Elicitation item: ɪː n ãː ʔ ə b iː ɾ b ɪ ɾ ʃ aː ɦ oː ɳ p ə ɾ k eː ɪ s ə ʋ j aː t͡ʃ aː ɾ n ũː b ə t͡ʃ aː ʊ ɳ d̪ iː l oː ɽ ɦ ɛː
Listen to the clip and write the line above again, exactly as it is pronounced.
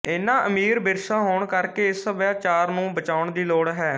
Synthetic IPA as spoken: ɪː n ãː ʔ ə m iː ɾ b ɪ ɾ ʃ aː ɦ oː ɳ k ə ɾ k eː ɪ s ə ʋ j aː t͡ʃ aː ɾ n ũː b ə t͡ʃ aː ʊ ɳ d̪ iː l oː ɽ ɦ ɛː